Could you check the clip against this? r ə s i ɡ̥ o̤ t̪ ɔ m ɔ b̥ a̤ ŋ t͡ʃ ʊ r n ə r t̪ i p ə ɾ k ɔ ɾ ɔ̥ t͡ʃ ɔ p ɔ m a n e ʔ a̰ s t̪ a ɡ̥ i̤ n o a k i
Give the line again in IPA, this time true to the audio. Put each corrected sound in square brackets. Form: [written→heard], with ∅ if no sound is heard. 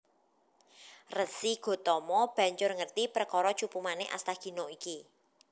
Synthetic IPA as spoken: r ə s i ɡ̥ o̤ t̪ ɔ m ɔ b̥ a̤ [ŋ→ɲ] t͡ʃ ʊ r [n→ŋ] ə r t̪ i p ə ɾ k ɔ ɾ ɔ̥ t͡ʃ [ɔ→u] p [ɔ→u] m a n e ʔ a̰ s t̪ a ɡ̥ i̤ n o [a→i] k i